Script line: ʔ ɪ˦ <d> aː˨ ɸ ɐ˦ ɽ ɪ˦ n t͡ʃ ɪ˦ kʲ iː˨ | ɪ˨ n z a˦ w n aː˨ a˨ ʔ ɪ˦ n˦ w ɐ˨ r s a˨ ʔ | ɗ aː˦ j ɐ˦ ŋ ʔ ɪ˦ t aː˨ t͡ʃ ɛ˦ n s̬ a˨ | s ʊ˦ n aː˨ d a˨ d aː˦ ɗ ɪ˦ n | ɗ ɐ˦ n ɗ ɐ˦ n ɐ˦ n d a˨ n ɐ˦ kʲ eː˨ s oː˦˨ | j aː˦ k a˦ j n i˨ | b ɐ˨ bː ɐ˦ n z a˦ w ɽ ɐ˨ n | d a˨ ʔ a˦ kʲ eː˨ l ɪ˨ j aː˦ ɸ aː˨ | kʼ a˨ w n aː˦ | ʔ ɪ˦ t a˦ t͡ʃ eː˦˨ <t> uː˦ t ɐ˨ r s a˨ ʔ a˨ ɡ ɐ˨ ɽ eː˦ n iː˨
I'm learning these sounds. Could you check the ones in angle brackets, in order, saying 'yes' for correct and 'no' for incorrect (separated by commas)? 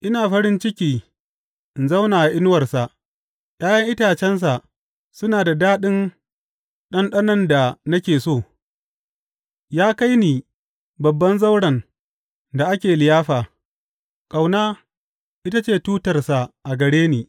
no, yes